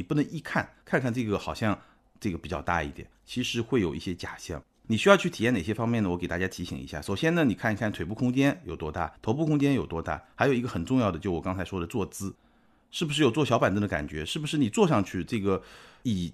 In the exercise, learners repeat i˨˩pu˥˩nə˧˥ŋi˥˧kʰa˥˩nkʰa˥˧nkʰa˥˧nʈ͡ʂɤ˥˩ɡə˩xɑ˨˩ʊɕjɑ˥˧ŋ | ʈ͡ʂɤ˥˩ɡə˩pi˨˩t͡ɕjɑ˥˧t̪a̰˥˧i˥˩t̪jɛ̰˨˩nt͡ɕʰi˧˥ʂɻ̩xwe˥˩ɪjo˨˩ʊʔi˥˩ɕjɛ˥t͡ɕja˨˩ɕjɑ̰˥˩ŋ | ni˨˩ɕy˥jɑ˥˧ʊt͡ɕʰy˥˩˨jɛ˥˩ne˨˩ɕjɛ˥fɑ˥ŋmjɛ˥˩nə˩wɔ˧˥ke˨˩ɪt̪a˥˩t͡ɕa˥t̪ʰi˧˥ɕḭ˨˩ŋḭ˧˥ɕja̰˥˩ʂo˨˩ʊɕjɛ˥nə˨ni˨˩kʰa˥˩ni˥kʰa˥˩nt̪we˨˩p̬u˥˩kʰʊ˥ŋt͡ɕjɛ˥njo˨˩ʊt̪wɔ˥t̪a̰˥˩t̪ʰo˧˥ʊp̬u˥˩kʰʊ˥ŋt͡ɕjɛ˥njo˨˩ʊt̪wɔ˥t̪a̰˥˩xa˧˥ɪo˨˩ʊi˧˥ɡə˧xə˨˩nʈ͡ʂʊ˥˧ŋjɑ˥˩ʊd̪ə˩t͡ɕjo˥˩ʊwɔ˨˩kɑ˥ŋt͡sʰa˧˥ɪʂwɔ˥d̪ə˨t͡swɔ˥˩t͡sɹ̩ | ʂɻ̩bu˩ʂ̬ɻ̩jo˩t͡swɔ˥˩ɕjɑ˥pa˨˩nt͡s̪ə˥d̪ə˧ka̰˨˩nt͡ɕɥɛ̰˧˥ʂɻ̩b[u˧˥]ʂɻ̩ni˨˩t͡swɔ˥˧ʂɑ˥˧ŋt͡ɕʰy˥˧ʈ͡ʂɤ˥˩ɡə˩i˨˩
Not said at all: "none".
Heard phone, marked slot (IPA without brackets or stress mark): u˩